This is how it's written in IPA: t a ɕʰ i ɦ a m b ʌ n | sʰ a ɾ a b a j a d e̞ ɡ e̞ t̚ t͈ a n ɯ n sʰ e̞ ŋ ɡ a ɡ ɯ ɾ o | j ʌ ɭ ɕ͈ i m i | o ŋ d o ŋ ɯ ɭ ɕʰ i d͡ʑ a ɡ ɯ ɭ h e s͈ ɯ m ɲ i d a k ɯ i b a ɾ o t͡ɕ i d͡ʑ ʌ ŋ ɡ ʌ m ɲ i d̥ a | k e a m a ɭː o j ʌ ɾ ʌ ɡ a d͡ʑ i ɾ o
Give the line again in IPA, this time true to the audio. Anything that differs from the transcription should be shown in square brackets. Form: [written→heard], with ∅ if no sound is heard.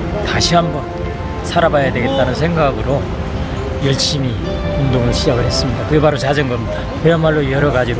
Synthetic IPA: t a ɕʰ i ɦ a m b ʌ n | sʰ a ɾ a b a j a d e̞ ɡ e̞ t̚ t͈ a n ɯ n sʰ e̞ ŋ ɡ a ɡ ɯ ɾ o | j ʌ ɭ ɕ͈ i m i | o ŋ d o ŋ ɯ ɭ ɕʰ i d͡ʑ a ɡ ɯ ɭ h e s͈ ɯ m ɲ i d a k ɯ [i→e] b a ɾ o t͡ɕ [i→a] d͡ʑ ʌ ŋ ɡ ʌ m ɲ i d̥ a | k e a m a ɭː o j ʌ ɾ ʌ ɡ a d͡ʑ i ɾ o